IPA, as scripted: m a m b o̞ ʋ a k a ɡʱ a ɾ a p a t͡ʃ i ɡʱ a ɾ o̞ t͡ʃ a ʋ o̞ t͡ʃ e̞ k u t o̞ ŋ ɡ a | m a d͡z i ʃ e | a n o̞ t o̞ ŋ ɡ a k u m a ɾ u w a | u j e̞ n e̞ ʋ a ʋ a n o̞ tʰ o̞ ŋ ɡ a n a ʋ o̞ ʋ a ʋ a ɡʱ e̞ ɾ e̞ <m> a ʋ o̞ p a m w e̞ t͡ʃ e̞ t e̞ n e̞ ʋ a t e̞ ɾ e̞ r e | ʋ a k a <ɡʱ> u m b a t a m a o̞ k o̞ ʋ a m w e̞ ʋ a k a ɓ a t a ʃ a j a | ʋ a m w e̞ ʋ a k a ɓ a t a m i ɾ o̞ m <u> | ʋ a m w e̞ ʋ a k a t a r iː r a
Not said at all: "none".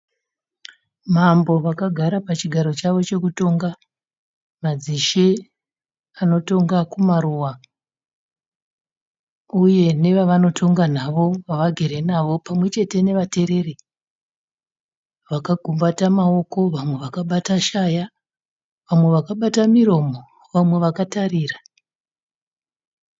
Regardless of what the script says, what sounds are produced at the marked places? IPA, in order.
n, ɡʱ, o

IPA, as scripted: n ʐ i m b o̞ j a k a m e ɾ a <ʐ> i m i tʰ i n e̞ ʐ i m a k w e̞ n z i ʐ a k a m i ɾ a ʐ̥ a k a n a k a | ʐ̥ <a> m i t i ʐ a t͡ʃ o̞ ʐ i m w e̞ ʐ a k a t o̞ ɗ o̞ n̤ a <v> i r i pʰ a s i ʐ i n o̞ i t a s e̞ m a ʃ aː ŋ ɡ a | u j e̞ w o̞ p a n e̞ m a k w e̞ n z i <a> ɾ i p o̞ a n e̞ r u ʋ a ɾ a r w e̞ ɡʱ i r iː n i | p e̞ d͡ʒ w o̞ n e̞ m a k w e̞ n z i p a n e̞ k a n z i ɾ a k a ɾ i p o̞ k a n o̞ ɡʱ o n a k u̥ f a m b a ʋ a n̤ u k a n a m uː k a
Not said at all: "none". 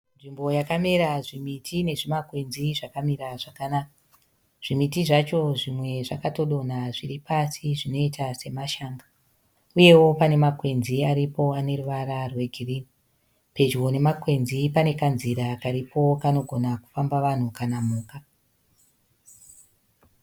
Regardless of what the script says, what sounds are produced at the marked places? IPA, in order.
ʐ, i, ʐ, a

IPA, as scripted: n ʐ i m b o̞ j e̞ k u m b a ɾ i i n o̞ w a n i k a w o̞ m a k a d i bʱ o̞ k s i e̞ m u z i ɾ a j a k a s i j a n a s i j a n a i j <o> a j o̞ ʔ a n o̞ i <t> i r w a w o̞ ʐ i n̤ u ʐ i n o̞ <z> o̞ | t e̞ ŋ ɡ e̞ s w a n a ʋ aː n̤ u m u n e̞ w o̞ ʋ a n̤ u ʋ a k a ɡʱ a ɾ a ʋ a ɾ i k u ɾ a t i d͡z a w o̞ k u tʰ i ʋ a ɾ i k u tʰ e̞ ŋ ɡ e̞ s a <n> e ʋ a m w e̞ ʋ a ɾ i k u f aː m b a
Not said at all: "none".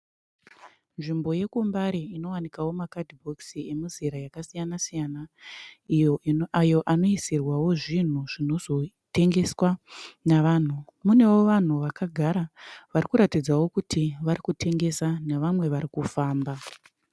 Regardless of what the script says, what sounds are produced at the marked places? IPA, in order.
o, s, z, n

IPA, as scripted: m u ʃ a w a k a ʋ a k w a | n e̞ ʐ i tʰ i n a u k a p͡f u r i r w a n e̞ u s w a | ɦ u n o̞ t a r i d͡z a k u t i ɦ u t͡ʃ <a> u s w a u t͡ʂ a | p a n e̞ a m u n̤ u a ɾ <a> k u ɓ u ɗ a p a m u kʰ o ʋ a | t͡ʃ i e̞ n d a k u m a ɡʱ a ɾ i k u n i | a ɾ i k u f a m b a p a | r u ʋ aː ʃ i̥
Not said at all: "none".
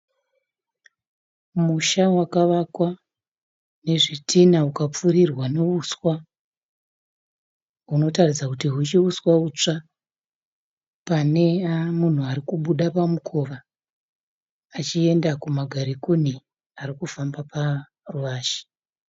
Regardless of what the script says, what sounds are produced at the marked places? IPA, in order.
i, i

